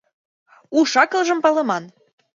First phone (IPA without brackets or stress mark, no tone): u